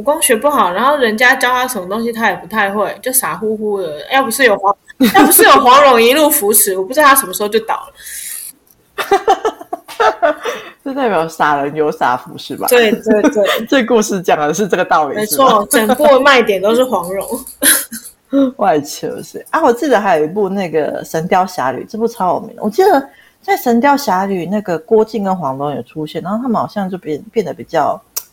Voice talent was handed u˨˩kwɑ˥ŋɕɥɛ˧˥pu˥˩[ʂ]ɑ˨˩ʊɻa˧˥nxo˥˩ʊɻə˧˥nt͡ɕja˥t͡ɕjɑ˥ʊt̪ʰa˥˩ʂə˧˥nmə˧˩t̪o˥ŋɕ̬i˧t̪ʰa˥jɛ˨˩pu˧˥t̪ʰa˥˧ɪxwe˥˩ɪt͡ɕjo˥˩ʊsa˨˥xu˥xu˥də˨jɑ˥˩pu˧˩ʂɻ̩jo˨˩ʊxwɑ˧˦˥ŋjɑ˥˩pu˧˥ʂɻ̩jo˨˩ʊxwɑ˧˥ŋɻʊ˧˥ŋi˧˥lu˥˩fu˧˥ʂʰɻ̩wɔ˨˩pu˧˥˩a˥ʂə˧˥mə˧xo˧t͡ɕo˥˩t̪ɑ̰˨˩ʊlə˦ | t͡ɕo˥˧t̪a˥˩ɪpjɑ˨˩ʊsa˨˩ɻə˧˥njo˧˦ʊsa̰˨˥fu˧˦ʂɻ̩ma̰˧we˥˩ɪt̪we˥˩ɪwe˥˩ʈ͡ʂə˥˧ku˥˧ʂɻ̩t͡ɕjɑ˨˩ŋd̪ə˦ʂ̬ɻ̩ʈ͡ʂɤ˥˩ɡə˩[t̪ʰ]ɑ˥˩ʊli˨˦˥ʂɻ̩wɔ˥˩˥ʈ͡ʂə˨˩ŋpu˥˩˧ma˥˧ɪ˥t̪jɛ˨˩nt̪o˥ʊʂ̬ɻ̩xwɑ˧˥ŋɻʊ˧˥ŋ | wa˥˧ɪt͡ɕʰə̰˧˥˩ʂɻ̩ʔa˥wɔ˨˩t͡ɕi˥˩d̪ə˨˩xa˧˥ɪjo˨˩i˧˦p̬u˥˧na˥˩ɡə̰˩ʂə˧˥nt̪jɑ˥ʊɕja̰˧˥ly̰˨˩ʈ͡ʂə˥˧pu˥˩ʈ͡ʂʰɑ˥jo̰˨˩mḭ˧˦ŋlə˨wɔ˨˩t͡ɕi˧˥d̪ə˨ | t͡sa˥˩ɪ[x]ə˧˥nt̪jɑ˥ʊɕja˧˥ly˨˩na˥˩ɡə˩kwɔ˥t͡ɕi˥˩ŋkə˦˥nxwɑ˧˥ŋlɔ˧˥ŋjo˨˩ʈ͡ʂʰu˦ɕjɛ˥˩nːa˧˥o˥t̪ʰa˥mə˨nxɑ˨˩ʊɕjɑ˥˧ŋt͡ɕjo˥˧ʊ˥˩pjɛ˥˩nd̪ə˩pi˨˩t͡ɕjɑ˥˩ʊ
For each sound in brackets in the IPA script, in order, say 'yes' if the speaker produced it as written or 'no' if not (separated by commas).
no, no, no